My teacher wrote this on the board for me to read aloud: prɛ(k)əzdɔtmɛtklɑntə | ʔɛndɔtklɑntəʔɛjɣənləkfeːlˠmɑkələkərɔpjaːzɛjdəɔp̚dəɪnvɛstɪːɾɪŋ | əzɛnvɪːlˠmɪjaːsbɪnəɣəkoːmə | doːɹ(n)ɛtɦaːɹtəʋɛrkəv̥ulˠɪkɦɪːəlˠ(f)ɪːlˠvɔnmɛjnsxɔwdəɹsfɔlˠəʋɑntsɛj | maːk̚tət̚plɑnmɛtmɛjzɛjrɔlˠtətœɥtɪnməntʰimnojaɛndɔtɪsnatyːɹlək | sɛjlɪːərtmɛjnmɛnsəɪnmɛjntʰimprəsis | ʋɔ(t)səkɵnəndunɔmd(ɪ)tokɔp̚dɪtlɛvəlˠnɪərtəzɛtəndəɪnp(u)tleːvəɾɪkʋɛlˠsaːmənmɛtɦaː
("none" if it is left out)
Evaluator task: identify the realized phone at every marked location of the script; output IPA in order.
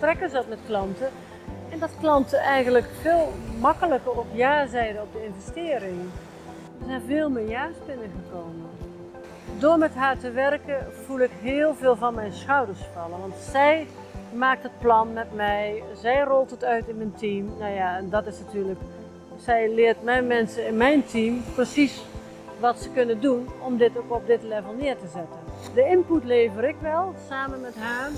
k, m, v, t, ɪ, u

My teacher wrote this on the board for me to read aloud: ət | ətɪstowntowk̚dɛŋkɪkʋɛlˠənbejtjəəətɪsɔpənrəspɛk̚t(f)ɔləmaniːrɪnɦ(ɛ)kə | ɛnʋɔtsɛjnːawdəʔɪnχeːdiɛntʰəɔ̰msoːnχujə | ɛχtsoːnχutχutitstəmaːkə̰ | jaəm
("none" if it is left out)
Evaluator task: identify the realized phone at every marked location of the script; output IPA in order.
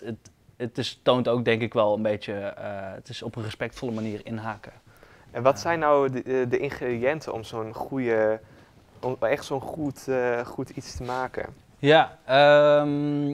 f, a

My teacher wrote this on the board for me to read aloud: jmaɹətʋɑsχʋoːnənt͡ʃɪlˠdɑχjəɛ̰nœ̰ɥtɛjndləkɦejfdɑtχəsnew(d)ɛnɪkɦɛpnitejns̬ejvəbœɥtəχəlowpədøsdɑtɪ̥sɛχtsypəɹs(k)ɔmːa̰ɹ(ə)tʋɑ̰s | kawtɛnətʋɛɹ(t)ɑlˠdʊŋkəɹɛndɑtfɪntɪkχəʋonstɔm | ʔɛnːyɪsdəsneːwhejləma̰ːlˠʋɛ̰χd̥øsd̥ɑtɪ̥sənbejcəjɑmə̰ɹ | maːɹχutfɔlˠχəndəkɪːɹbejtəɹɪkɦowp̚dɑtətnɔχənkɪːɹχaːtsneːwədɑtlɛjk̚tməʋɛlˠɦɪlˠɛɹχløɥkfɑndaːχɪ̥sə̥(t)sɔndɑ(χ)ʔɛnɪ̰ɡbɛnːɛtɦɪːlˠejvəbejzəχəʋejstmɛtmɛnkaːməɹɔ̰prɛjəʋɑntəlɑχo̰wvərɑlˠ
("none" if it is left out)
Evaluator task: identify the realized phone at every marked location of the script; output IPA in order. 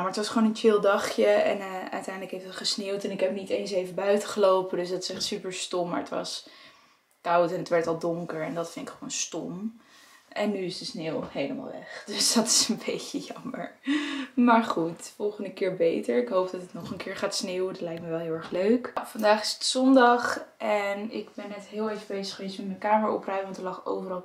t, t, ə, t, t, χ

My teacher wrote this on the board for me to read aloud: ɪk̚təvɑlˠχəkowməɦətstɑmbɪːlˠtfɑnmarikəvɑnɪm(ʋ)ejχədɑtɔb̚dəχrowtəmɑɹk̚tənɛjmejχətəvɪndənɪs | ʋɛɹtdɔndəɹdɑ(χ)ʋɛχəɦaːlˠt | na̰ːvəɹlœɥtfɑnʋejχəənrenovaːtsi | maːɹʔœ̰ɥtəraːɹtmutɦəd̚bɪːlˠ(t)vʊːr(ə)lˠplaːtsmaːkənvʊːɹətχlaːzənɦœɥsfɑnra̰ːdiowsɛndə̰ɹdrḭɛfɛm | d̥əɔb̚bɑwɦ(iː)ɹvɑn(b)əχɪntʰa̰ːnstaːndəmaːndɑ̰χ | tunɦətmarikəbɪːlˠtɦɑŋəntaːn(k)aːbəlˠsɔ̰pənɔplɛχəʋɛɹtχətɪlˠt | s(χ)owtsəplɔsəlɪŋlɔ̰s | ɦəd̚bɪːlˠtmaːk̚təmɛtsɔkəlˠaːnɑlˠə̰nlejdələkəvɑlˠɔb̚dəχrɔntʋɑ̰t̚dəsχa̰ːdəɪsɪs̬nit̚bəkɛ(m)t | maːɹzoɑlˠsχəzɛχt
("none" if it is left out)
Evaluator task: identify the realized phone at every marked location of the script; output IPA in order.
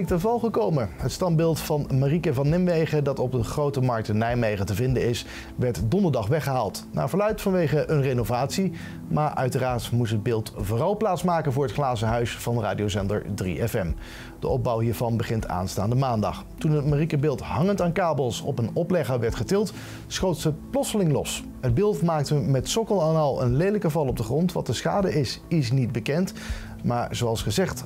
ʋ, χ, t, ɑ, iː, b, k, χ, n

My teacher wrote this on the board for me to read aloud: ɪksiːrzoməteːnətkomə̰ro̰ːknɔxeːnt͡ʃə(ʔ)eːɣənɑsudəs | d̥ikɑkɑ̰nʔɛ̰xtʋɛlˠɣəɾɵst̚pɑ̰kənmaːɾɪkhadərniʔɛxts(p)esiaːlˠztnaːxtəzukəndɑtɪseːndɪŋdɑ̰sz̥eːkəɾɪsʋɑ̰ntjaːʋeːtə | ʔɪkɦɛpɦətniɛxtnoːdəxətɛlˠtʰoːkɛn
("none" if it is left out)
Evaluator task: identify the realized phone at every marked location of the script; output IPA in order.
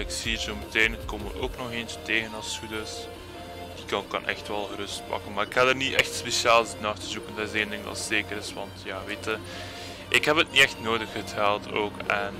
t, p

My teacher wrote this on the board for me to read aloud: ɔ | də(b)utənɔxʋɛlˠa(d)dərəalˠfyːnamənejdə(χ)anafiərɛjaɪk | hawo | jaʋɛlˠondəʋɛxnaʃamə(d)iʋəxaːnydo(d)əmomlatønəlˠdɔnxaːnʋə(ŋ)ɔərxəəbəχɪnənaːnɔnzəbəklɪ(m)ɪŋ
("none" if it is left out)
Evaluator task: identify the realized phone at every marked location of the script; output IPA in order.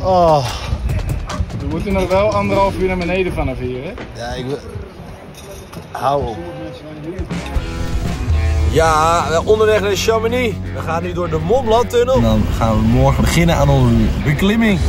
m, n, f, n, d, m, m

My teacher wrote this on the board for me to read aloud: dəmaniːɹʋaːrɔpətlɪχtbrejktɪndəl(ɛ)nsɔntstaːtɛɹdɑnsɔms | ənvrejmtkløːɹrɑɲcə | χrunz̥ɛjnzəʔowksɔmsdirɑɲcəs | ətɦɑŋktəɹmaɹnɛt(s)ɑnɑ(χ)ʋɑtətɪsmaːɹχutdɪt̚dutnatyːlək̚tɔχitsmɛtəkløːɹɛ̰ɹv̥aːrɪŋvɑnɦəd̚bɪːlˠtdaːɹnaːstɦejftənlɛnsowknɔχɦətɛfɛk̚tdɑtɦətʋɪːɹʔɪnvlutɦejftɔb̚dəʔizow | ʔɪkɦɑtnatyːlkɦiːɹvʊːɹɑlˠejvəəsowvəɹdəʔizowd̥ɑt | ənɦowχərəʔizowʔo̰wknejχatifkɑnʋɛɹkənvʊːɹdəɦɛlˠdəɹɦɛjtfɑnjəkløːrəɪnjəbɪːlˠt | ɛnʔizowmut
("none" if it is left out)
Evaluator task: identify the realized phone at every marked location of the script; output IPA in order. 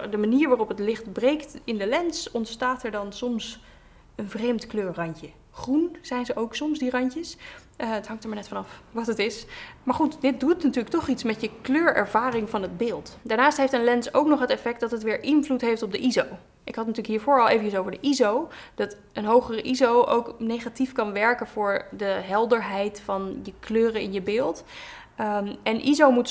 ɛ, f, f

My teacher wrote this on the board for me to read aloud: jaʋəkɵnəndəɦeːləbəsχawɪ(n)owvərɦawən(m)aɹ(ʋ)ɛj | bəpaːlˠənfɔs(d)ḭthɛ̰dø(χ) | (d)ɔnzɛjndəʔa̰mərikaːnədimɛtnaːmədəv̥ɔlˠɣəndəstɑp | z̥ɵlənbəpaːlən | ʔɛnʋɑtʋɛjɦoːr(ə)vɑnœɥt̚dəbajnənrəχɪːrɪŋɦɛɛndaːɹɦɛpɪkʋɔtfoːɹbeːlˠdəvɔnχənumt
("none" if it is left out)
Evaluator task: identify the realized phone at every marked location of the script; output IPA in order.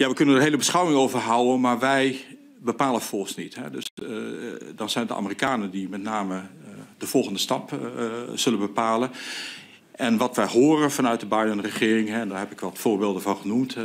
ŋ, m, ʋ, n, s, d, ə

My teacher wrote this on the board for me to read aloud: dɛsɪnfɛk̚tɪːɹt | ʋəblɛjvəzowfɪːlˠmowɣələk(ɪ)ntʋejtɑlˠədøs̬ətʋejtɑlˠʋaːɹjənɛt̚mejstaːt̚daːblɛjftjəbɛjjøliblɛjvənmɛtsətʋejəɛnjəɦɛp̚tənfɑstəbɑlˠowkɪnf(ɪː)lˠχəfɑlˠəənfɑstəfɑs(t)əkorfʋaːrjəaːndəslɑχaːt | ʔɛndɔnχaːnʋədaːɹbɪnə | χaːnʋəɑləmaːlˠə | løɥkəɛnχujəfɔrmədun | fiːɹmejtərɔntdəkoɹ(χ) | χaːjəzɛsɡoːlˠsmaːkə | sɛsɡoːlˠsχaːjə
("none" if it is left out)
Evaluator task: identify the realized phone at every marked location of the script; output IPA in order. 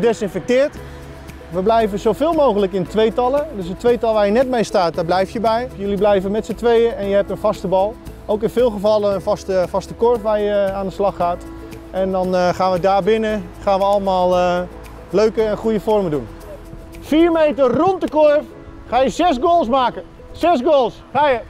ɪ, ɪː, t, f

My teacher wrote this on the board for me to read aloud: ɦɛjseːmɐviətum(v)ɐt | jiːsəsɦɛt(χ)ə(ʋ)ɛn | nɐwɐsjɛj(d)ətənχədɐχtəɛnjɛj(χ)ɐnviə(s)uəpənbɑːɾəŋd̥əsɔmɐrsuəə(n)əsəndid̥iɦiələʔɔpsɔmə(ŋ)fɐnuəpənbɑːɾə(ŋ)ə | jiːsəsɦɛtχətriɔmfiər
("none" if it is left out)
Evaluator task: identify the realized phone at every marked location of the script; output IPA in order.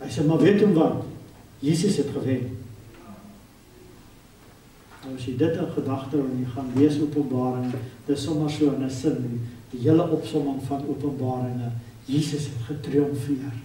v, χ, v, d, χ, s, n, ŋ, ŋ

